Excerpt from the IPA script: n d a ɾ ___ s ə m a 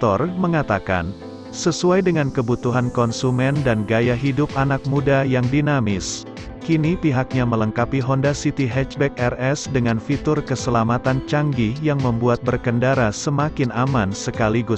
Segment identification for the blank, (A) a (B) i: A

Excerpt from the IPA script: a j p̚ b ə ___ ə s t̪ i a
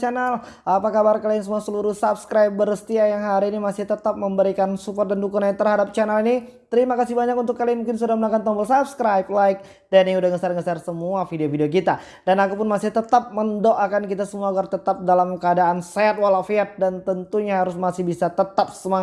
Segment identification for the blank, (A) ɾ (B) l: A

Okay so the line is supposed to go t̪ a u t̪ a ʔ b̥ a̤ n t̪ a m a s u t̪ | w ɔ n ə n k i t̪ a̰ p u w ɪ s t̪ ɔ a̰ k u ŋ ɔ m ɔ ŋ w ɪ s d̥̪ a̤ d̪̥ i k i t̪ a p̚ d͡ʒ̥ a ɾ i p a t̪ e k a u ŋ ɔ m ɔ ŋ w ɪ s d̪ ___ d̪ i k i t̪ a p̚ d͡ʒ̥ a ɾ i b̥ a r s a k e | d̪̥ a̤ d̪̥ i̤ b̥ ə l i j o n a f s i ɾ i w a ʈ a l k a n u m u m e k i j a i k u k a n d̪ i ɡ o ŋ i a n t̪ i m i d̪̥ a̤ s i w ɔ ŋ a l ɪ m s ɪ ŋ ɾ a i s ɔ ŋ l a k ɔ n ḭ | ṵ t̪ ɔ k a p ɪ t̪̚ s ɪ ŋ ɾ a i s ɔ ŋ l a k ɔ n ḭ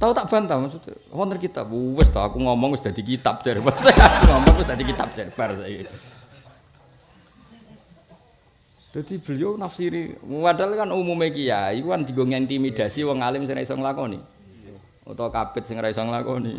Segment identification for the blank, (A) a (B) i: A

